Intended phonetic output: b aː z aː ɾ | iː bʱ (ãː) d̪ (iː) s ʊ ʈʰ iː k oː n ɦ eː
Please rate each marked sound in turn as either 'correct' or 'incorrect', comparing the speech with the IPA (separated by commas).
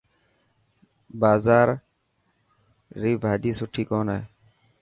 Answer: incorrect, correct